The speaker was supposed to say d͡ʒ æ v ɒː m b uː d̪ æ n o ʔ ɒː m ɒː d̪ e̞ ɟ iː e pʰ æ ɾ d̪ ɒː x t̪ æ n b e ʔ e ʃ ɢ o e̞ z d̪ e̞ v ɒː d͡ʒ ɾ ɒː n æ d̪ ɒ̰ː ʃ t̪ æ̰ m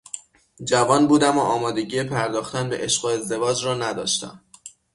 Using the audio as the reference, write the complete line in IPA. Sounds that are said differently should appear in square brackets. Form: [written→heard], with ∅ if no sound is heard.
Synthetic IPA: d͡ʒ æ v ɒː [m→n] b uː d̪ æ [n→m] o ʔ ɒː m ɒː d̪ e̞ ɟ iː e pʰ æ ɾ d̪ ɒː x t̪ æ n b e ʔ e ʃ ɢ o e̞ z d̪ e̞ v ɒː d͡ʒ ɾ ɒː n æ d̪ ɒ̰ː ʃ t̪ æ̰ m